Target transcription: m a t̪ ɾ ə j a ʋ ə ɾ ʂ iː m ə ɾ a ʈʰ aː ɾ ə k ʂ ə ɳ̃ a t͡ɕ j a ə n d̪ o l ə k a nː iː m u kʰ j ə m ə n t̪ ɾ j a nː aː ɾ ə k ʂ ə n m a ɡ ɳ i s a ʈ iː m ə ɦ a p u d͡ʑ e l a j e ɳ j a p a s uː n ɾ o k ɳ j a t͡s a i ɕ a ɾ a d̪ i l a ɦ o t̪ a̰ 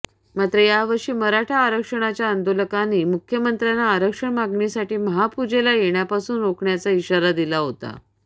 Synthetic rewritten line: m a t̪ ɾ ə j a ʋ ə ɾ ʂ iː m ə ɾ a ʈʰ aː ɾ ə k ʂ ə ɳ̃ a t͡ɕ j a ə n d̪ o l ə k a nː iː m u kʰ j ə m ə n t̪ ɾ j a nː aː ɾ ə k ʂ ə ɳ m a ɡ ɳ i s a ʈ iː m ə ɦ a p u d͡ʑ e l a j e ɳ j a p a s uː n ɾ o k ɳ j a t͡s a i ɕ a ɾ a d̪ i l a ɦ o t̪ a̰